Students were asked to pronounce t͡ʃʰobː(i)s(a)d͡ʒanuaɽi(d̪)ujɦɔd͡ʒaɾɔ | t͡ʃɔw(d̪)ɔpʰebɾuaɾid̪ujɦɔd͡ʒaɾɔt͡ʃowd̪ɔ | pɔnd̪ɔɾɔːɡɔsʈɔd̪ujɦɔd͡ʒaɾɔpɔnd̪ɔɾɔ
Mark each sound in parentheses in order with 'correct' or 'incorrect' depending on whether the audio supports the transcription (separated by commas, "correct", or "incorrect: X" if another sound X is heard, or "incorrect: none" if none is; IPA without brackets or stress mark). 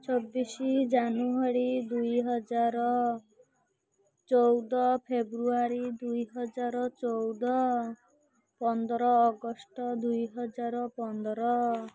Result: correct, incorrect: i, correct, correct